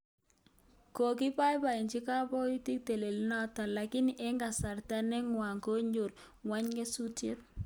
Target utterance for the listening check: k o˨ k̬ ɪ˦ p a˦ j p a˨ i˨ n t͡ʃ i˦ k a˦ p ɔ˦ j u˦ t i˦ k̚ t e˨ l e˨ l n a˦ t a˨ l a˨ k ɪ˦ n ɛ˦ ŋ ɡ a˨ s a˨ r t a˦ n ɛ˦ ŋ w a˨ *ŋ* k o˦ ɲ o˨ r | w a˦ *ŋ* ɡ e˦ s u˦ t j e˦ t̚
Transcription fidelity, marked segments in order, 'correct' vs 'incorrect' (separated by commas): correct, incorrect